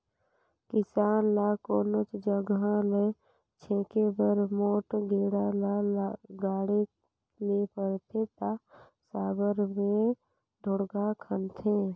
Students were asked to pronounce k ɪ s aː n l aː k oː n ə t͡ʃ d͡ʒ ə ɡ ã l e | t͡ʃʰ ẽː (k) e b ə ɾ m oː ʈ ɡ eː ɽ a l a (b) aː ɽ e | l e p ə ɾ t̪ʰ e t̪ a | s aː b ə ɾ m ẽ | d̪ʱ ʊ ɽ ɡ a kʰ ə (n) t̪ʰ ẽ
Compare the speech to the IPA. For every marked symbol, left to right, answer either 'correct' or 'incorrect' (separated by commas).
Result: correct, incorrect, correct